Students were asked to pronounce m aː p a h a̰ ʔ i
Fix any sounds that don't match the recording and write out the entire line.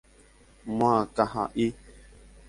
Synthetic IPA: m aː k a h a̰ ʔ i